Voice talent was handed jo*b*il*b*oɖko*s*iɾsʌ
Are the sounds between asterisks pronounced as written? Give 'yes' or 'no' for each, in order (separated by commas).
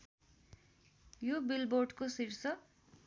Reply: yes, yes, yes